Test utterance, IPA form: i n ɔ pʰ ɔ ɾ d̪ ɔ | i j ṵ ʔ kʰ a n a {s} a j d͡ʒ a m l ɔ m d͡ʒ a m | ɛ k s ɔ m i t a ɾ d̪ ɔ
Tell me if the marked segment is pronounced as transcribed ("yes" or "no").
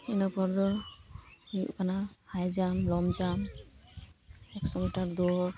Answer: no